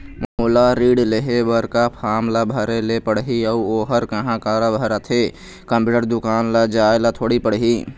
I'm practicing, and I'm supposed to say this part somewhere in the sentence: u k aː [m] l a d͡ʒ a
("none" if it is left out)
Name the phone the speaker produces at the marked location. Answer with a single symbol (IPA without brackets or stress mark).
n